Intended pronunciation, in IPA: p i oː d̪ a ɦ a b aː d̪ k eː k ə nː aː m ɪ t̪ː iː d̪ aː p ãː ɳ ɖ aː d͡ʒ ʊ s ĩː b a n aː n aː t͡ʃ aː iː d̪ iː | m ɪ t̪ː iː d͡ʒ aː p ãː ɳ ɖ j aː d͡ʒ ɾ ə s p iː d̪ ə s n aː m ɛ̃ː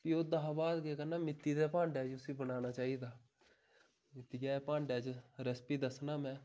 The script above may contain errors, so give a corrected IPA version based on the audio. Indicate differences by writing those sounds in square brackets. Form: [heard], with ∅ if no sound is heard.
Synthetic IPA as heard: p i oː d̪ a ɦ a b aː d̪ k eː k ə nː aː m ɪ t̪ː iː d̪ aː p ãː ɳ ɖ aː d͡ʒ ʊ s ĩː b [ə] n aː n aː t͡ʃ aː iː d̪ [aː] | m ɪ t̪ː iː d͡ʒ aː p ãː ɳ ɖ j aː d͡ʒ ɾ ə s p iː d̪ ə s n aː m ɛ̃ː